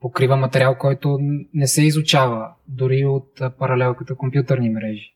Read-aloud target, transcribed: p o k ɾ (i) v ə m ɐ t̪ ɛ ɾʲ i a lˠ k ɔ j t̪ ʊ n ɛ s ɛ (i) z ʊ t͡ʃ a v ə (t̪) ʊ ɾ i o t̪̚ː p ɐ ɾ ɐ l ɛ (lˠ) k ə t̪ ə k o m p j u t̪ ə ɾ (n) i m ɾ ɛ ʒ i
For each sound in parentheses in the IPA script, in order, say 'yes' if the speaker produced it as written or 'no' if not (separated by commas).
yes, yes, no, yes, yes